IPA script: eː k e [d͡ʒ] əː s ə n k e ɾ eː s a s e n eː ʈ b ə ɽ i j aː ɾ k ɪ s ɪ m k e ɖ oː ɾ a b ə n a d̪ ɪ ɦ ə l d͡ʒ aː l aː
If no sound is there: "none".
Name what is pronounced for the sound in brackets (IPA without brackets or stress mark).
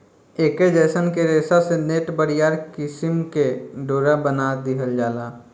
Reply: d͡ʒ